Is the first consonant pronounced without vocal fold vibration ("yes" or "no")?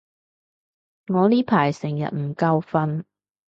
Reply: no